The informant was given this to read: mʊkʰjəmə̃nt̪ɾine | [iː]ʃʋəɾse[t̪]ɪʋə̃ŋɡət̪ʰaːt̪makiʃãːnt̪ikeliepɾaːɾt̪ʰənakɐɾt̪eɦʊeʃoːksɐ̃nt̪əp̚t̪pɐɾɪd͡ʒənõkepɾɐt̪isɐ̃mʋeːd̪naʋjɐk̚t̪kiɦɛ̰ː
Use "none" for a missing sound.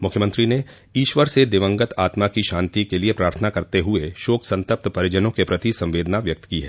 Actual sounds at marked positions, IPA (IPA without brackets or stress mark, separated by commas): iː, d̪